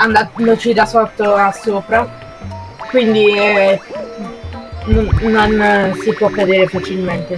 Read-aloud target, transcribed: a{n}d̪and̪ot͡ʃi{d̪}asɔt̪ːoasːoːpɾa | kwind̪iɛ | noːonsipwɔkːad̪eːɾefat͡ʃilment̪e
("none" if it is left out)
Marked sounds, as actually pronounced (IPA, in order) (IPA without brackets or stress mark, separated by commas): n, d̪